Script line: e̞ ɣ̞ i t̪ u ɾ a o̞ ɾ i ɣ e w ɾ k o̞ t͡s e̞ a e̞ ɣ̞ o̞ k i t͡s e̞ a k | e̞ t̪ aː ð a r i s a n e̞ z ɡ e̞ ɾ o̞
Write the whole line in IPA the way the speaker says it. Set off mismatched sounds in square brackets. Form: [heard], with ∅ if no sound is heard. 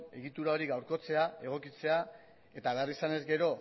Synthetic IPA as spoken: e̞ ɣ̞ i t̪ u ɾ a o̞ ɾ i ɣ [a] w ɾ k o̞ t͡s e̞ a e̞ ɣ̞ o̞ k i t͡s e̞ a [∅] | e̞ t̪ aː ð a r i s a n e̞ z ɡ e̞ ɾ o̞